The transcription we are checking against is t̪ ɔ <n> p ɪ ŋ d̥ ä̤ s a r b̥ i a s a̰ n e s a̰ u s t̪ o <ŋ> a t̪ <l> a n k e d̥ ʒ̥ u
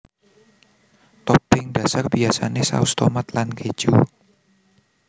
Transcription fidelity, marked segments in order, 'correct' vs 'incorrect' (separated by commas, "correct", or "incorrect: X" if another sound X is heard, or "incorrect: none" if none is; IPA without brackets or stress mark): incorrect: none, incorrect: m, correct